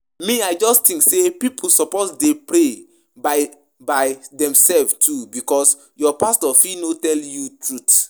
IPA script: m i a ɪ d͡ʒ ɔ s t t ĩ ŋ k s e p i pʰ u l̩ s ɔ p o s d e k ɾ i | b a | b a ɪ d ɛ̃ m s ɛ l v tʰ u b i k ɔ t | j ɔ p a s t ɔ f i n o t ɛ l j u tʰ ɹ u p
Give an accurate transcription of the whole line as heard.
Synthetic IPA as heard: m i a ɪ d͡ʒ ɔ s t t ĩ ŋ k s e p i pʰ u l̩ s ɔ p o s d e p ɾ e | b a | b a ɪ d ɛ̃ m s ɛ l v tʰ u b i k ɔ s | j ɔ p a s t ɔ f i n o t ɛ l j u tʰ ɹ u t